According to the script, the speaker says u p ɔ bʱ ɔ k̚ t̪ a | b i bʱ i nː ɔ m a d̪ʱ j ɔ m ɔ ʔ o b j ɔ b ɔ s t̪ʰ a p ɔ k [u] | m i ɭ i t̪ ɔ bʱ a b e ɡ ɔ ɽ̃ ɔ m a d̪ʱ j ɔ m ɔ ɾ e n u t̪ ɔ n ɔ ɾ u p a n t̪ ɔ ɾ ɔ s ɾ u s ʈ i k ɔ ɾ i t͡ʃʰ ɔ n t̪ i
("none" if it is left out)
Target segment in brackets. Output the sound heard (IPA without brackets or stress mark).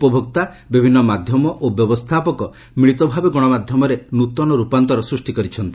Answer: ɔ